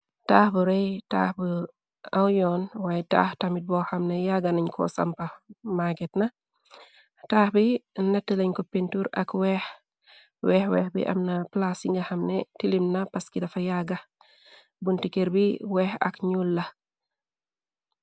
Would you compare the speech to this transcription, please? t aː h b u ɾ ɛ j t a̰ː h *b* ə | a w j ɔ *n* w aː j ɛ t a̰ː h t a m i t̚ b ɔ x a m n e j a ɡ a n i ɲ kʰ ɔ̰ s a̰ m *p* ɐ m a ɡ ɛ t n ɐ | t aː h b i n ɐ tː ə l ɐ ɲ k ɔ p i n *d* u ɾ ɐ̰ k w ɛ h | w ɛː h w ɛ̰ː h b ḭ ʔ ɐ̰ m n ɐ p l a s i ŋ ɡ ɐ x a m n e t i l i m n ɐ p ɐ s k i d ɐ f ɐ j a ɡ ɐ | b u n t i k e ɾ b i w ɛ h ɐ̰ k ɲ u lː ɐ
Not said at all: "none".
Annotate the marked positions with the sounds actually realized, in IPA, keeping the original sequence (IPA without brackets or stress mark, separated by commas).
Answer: b, n, p, t